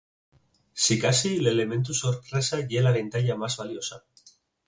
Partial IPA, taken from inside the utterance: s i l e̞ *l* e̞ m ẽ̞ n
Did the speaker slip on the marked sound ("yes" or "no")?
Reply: no